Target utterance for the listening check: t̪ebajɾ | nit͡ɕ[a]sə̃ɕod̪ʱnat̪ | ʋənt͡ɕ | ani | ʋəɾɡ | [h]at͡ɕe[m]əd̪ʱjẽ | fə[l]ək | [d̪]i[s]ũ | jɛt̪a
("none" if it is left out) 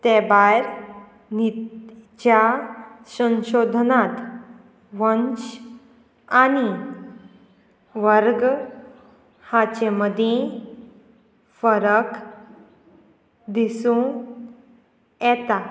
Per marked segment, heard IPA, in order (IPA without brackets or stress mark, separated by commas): a, h, m, ɾ, d̪, s